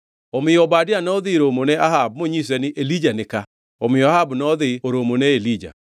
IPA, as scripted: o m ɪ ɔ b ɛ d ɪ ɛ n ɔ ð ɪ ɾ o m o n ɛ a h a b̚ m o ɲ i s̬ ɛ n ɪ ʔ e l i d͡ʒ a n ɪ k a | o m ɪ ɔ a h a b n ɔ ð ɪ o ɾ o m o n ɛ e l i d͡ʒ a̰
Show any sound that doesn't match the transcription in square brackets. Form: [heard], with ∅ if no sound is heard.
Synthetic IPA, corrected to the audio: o m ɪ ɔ b [a] d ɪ [a] n ɔ ð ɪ ɾ o m o n ɛ a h a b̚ m o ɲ i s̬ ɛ n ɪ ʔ e l i d͡ʒ a n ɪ k a | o m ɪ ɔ a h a b n ɔ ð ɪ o ɾ o m o n ɛ e l i d͡ʒ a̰